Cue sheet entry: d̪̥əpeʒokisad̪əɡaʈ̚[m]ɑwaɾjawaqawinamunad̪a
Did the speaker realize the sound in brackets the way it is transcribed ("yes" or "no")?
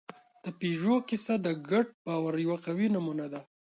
no